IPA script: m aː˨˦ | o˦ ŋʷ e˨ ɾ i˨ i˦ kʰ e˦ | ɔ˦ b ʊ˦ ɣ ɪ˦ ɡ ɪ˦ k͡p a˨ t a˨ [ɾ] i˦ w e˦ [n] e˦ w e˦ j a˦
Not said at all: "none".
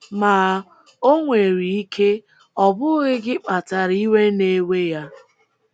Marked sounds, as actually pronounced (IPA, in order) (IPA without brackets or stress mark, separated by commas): ɾ, n